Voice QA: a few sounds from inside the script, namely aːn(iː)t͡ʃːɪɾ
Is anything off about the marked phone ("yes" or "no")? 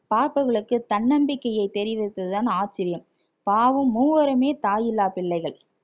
yes